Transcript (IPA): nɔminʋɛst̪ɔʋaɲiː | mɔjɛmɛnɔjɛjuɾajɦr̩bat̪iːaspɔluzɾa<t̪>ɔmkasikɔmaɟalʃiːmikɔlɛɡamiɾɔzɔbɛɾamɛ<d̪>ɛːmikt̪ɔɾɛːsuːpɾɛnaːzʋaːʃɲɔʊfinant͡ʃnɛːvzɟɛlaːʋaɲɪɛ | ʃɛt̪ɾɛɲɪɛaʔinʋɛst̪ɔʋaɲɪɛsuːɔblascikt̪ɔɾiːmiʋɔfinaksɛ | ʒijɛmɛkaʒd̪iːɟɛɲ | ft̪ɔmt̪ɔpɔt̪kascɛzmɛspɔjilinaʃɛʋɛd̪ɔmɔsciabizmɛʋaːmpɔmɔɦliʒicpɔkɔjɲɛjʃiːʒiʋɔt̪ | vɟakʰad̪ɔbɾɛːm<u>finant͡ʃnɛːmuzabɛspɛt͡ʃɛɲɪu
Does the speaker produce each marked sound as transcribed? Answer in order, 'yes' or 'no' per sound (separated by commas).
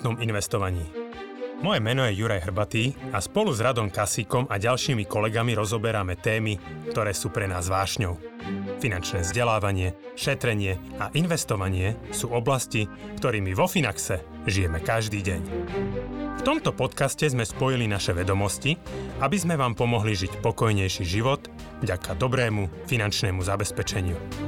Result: no, no, yes